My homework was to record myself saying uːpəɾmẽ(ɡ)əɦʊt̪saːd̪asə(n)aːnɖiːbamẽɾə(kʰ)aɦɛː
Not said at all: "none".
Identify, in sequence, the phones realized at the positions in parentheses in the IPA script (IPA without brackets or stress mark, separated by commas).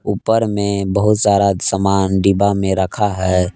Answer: b, m, kʰ